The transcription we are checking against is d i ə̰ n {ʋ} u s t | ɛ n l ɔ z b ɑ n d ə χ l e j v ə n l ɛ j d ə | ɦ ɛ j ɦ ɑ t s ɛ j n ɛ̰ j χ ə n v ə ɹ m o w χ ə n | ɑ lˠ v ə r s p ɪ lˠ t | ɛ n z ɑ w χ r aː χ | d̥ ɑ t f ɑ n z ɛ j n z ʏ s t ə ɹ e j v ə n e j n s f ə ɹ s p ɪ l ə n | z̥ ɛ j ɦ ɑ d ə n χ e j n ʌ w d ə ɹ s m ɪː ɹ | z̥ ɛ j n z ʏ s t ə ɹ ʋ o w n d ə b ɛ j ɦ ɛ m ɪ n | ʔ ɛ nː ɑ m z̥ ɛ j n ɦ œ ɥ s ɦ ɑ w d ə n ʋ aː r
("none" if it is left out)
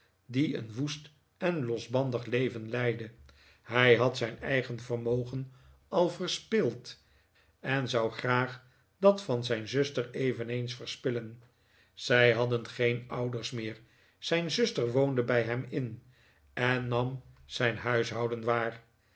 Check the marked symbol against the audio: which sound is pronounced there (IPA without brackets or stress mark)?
ʋ